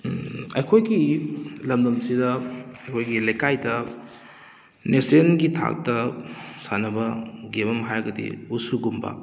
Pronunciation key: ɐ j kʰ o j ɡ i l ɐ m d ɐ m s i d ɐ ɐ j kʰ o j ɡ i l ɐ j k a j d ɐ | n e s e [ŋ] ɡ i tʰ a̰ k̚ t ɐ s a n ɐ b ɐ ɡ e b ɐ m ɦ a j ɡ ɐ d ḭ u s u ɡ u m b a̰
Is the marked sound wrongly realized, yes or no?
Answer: yes